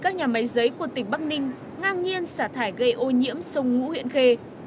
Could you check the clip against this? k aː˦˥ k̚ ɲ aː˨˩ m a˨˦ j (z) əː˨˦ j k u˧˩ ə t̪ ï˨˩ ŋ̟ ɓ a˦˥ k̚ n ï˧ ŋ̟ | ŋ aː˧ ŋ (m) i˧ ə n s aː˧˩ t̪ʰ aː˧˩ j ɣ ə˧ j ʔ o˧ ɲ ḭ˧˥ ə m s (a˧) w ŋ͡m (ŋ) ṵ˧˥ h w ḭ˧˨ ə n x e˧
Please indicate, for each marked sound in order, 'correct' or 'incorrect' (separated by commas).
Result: correct, incorrect, incorrect, correct